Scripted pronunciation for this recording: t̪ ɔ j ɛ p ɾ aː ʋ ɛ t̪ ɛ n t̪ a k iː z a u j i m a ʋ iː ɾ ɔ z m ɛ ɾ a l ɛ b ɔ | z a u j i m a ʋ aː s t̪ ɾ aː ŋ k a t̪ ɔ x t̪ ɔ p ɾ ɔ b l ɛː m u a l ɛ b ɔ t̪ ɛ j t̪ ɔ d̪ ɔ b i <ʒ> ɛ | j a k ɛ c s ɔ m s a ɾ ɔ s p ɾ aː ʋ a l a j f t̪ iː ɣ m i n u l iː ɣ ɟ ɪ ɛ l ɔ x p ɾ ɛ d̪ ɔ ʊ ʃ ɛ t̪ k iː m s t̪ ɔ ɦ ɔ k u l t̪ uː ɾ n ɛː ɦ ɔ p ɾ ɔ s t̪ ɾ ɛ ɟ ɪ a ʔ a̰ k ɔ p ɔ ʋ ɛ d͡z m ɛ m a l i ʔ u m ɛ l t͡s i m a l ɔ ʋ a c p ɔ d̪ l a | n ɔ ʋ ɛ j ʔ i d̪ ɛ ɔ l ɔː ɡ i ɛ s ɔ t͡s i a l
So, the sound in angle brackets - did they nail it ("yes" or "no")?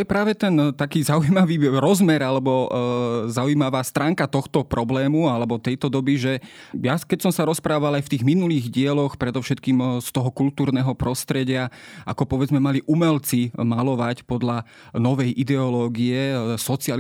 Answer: yes